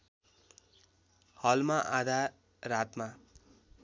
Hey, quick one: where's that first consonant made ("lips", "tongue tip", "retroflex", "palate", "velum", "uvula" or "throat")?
throat